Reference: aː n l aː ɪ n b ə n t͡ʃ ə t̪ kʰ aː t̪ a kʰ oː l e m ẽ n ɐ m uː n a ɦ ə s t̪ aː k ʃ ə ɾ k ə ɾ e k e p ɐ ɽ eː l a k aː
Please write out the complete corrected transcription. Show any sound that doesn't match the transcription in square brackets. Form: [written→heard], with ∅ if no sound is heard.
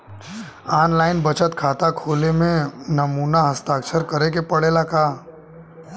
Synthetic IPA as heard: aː n l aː ɪ n b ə [n→∅] t͡ʃ ə t̪ kʰ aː t̪ a kʰ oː l e m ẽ n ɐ m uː n a ɦ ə s t̪ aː k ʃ ə ɾ k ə ɾ e k e p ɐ ɽ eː l a k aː